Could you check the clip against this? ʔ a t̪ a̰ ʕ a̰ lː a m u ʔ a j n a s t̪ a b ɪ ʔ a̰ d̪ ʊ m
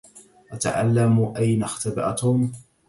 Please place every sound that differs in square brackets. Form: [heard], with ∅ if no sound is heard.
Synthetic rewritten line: ʔ a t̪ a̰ ʕ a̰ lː a m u ʔ a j n a [x] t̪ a b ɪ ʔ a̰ [t̪] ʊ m